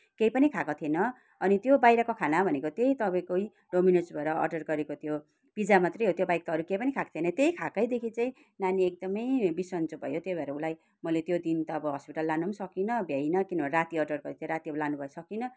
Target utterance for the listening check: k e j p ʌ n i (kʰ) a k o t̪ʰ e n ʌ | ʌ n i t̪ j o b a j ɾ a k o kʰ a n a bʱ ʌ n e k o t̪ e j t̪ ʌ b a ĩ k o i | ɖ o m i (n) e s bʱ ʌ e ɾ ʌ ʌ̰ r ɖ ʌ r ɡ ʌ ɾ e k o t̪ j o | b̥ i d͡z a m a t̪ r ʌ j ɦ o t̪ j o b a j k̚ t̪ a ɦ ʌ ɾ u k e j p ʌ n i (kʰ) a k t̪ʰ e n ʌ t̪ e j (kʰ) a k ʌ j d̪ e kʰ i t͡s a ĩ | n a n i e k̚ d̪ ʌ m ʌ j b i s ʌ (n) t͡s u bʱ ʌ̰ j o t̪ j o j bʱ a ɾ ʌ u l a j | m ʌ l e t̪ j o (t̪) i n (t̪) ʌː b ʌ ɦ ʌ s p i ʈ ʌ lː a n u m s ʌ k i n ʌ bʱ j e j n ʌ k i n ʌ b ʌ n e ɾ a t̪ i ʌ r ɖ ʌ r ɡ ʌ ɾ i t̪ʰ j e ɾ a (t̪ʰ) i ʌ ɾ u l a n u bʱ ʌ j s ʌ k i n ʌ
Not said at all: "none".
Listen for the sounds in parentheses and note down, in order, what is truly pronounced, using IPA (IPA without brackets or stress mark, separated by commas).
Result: kʰ, n, kʰ, kʰ, n, d̪, t̪, t̪